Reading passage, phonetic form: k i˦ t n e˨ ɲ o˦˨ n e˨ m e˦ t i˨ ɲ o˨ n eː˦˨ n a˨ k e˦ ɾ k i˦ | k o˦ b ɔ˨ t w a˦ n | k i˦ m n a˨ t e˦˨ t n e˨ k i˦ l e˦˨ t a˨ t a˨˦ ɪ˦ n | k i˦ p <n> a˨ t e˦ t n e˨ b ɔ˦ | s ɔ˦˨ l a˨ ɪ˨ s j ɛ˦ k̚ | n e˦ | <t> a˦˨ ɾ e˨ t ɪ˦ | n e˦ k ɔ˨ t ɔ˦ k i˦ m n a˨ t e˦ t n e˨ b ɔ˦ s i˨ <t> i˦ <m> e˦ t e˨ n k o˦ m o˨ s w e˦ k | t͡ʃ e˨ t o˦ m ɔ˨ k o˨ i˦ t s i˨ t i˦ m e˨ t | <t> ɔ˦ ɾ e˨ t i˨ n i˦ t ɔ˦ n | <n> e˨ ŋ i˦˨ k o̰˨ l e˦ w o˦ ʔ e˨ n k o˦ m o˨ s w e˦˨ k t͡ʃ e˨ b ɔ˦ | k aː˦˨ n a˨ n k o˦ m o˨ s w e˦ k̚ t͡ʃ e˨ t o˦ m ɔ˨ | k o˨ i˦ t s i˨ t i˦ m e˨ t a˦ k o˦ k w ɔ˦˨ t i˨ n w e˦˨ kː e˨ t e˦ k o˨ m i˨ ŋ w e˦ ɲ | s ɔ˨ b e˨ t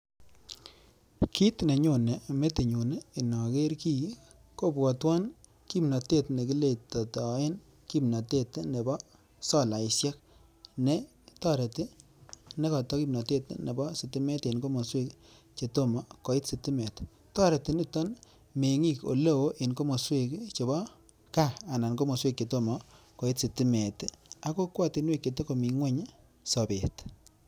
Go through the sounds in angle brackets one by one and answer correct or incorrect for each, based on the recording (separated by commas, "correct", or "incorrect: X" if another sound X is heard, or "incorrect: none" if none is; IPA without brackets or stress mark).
correct, correct, correct, correct, correct, incorrect: m